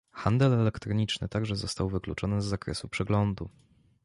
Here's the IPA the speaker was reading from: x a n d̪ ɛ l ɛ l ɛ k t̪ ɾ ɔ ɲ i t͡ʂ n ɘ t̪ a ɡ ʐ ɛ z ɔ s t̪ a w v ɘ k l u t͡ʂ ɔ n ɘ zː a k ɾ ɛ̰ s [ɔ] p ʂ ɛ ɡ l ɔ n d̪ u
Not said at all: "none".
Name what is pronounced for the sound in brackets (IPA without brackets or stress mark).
u